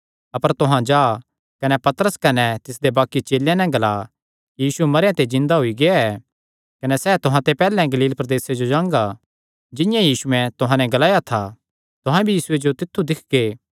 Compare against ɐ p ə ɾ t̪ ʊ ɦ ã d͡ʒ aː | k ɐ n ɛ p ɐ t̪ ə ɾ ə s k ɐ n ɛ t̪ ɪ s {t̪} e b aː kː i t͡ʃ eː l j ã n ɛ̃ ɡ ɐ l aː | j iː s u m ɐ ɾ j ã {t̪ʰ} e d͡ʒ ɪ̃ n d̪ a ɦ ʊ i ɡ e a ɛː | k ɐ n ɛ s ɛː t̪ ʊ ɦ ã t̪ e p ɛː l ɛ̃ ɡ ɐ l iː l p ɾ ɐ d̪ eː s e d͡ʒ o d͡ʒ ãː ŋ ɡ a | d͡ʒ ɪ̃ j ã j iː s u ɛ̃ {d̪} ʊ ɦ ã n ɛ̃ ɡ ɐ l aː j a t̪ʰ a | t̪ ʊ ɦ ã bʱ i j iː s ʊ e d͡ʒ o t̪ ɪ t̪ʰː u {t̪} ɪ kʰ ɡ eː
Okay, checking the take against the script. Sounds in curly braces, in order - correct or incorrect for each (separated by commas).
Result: incorrect, incorrect, incorrect, incorrect